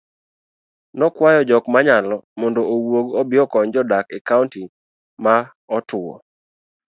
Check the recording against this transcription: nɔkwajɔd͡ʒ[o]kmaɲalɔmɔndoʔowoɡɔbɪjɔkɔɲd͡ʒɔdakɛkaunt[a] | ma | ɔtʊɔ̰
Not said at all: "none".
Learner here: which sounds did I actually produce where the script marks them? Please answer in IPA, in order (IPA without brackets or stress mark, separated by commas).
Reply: ɔ, i